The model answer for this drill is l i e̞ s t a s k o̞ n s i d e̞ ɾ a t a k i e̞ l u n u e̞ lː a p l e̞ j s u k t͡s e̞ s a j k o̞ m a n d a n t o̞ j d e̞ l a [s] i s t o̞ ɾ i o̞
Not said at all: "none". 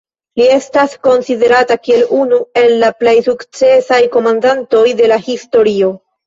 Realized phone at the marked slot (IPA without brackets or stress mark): h